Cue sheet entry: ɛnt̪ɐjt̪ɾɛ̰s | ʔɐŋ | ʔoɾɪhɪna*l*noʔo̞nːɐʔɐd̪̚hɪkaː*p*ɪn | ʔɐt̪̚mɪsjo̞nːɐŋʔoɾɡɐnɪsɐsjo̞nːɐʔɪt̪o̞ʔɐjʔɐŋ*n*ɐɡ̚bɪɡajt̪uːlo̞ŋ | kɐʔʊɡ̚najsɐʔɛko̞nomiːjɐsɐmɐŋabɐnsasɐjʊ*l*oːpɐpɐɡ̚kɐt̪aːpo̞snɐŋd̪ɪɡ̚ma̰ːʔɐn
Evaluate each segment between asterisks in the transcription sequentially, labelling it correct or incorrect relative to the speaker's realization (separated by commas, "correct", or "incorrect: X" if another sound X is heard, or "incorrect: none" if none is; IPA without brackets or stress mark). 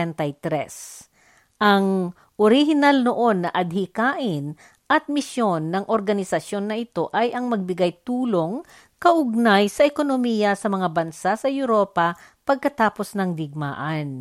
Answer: correct, incorrect: ʔ, incorrect: m, incorrect: ɾ